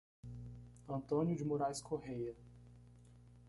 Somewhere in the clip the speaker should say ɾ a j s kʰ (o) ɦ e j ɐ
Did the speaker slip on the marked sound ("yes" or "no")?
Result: no